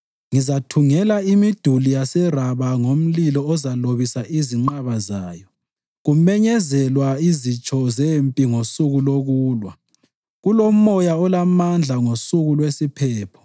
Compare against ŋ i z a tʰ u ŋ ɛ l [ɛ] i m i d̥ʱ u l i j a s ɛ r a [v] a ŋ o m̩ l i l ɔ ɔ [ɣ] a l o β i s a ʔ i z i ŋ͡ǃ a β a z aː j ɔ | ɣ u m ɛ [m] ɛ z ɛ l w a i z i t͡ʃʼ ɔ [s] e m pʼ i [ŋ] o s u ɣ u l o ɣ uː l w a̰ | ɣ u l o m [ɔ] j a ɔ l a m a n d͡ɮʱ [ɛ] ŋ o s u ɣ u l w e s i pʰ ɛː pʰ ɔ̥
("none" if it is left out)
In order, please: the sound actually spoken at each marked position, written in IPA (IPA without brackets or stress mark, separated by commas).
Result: a, β, z, ɲ, z, ŋ, ɔ, a